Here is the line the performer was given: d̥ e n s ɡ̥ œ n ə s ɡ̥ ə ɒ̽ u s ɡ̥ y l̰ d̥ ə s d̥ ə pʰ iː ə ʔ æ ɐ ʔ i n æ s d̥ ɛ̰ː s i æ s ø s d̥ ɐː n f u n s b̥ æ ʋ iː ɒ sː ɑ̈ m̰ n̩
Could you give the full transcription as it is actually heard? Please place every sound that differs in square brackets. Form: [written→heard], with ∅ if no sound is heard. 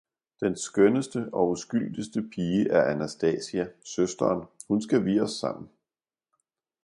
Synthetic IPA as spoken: d̥ e n s ɡ̥ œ n ə s [ɡ̥→d̥] ə ɒ̽ u s ɡ̥ y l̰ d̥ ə s d̥ ə pʰ iː ə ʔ æ ɐ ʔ [i→æ] n æ s d̥ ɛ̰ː s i æ s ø s d̥ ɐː n [f→h] u n s [b̥→ɡ̥] æ ʋ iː ɒ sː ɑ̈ m̰ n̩